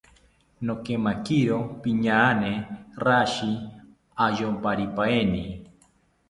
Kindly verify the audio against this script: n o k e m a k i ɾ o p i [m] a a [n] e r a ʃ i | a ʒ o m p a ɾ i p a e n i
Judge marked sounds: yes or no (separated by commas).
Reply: no, yes